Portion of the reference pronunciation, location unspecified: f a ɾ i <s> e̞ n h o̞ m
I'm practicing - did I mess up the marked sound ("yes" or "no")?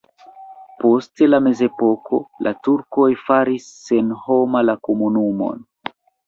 yes